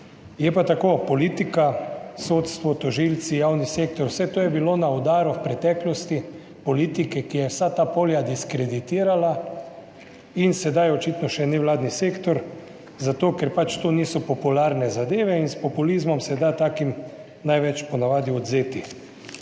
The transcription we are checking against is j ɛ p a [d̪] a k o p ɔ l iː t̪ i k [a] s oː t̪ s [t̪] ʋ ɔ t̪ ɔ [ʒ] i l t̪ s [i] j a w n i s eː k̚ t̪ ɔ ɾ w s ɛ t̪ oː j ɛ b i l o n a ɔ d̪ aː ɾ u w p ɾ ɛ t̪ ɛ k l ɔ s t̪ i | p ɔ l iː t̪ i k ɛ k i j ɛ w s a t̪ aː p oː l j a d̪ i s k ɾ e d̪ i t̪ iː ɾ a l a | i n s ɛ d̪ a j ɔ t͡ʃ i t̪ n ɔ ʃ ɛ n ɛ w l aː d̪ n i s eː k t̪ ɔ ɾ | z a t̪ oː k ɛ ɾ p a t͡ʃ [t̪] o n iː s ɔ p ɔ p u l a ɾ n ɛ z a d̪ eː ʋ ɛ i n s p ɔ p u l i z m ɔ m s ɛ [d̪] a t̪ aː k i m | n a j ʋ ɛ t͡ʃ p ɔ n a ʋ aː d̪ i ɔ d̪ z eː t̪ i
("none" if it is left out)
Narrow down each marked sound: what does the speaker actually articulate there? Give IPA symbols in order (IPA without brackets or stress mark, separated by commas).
t̪, a, t̪, ʒ, i, t̪, d̪